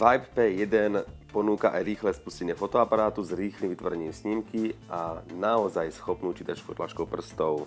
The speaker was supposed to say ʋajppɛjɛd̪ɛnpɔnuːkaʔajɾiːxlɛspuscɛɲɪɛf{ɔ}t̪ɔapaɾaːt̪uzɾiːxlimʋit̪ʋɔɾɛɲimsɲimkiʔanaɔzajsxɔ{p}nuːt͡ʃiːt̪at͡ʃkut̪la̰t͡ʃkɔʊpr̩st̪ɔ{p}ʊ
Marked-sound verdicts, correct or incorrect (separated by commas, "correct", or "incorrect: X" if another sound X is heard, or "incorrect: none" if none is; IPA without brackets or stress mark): correct, correct, incorrect: none